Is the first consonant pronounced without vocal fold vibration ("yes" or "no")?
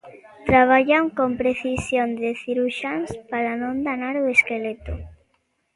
yes